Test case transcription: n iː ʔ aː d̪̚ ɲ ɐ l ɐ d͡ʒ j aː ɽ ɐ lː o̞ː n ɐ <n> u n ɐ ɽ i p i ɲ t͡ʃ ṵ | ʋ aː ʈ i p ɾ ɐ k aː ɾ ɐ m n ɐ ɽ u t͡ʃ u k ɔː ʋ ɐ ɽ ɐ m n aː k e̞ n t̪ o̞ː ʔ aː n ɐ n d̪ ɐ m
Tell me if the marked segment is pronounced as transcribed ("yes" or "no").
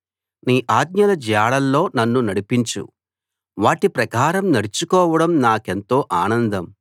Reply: no